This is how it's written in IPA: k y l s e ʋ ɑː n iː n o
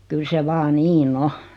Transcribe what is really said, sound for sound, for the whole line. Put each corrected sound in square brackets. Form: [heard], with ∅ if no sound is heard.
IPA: k y l s e ʋ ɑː n iː n o